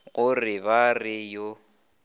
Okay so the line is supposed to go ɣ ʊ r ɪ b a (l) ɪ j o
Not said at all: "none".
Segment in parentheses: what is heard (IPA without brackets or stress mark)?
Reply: r